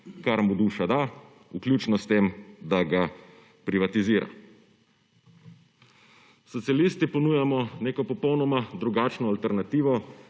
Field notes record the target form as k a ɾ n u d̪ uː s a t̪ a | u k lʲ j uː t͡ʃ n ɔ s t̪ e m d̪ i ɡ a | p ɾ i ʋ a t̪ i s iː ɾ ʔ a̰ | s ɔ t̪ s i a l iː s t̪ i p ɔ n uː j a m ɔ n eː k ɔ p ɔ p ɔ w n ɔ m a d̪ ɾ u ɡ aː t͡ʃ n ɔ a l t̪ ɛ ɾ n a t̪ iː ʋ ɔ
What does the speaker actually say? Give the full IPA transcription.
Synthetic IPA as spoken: k a ɾ m u d̪ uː ʃ a d̪ a | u k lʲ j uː t͡ʃ n ɔ s t̪ e m d̪ a ɡ a | p ɾ i ʋ a t̪ i z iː ɾ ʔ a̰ | s ɔ t̪ s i a l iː s t̪ i p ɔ n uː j a m ɔ n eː k ɔ p ɔ p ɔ w n ɔ m a d̪ ɾ u ɡ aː t͡ʃ n ɔ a l t̪ ɛ ɾ n a t̪ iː ʋ ɔ